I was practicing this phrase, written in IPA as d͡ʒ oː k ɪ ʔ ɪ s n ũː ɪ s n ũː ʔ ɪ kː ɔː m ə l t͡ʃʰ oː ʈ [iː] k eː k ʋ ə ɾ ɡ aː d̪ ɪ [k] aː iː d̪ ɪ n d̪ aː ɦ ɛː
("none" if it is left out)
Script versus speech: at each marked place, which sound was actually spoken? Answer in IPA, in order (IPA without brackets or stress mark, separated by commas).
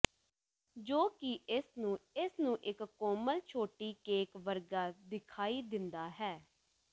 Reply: iː, kʰ